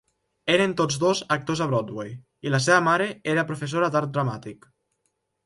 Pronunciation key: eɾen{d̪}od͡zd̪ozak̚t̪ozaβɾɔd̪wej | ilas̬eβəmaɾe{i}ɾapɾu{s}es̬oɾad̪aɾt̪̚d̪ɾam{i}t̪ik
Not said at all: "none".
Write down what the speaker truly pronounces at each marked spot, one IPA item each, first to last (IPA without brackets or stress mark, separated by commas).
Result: t̪, e, f, a